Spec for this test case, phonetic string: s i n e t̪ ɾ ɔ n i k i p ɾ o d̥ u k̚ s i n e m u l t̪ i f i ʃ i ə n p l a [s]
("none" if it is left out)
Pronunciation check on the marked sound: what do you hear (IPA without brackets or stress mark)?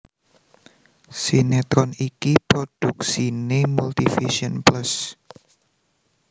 s